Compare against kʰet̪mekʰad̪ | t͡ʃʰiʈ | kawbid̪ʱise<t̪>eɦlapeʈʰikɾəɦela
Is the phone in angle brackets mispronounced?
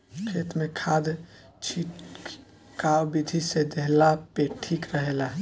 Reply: yes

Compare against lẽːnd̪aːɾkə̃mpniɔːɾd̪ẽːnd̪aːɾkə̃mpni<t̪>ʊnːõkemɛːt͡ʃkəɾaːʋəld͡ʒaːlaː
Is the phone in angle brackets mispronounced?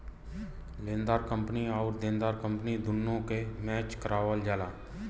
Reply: yes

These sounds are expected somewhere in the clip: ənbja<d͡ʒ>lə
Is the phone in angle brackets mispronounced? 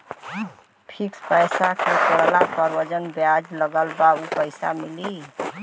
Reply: no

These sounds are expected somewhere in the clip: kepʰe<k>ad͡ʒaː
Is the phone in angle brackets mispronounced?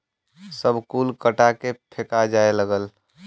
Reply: no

